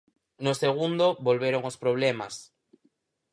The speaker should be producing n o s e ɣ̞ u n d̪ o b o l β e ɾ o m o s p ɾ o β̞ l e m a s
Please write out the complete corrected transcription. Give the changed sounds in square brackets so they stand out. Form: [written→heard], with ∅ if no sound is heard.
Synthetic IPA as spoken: n o s e ɣ̞ u n d̪ o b o l β e ɾ o [m→ŋ] o s p ɾ o β̞ l e m a s